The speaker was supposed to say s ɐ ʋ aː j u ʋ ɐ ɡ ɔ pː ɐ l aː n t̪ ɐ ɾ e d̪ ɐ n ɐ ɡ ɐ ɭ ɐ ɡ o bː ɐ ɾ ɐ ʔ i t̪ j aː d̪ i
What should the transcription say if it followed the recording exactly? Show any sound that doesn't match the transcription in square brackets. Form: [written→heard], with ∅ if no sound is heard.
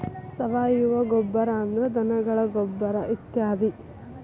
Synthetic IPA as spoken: s ɐ ʋ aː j u ʋ ɐ ɡ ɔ [pː→bː] ɐ [l→ɾ] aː n [t̪→d̪] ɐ ɾ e d̪ ɐ n ɐ ɡ ɐ ɭ ɐ ɡ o bː ɐ ɾ ɐ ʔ i t̪ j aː d̪ i